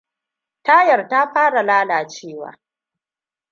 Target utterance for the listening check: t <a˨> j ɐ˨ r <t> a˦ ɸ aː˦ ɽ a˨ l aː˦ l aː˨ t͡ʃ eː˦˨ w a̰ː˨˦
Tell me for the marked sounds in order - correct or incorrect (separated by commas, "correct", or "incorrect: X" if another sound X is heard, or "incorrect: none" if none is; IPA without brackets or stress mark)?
incorrect: a˦, correct